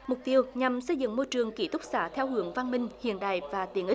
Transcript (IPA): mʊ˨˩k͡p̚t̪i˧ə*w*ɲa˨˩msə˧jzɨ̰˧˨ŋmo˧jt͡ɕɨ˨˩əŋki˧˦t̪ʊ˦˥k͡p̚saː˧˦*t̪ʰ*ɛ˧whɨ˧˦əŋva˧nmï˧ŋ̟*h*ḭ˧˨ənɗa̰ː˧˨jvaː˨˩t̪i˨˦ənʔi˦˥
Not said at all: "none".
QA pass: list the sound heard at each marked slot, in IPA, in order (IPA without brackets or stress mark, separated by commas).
w, t̪ʰ, h